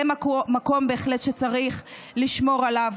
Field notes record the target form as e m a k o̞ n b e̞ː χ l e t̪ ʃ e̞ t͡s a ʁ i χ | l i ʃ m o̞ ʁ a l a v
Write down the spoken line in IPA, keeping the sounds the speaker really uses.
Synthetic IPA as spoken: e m a k o̞ m b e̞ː χ l e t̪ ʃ e̞ t͡s a ʁ i χ | l i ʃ m o̞ ʁ a l a v